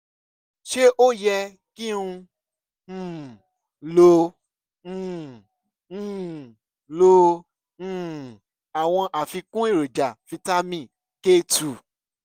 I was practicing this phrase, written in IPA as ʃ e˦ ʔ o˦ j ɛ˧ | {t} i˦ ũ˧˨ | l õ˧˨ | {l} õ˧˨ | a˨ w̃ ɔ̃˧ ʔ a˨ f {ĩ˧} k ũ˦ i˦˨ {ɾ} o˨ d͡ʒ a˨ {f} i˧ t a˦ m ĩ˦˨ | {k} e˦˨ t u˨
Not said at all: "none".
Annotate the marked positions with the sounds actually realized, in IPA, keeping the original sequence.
k, l, i˧, ɾ, f, k

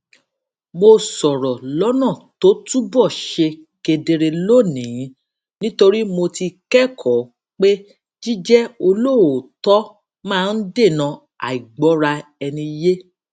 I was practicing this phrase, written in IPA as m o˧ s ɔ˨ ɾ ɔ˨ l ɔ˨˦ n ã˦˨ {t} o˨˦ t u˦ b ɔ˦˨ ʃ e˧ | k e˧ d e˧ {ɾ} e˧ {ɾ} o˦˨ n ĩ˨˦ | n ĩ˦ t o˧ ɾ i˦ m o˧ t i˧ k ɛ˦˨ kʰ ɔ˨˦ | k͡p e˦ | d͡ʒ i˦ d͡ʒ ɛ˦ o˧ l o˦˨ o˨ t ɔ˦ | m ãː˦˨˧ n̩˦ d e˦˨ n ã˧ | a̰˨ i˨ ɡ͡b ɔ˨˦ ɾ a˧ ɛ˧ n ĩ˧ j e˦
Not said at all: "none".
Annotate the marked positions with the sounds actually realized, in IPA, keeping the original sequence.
t, ɾ, l

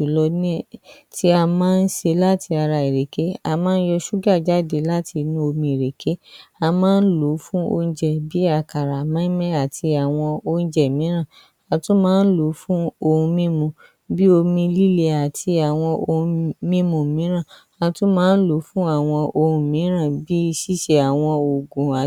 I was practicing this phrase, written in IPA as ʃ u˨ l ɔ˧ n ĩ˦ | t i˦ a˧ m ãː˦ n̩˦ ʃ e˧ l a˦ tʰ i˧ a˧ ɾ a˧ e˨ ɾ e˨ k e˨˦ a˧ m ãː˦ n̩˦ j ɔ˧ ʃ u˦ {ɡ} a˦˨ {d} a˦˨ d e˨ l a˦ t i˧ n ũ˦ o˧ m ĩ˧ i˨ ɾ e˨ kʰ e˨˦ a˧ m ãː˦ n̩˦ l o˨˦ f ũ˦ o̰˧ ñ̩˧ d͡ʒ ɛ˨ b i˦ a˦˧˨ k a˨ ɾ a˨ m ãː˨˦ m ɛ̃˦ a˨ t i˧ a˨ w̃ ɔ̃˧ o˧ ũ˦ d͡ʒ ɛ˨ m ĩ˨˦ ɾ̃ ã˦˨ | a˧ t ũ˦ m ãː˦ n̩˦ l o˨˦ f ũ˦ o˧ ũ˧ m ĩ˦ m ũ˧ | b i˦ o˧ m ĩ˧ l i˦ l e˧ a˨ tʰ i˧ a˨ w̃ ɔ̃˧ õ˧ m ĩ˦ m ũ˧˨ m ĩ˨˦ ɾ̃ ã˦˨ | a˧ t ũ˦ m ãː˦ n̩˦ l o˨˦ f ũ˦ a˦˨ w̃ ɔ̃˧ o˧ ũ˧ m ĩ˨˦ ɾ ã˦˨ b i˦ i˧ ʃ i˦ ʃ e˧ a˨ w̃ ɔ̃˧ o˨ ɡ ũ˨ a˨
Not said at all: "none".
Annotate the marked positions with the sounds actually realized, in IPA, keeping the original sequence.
ɡ, d͡ʒ

